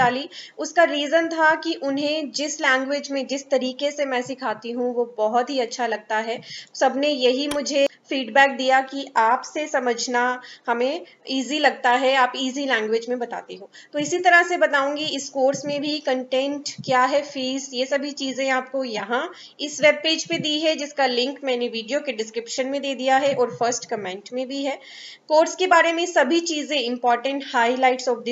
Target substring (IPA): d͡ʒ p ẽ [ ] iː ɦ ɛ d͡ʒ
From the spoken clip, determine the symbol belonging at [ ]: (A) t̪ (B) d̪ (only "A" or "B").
B